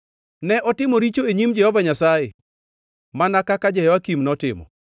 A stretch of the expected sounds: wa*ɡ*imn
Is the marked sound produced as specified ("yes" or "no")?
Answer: no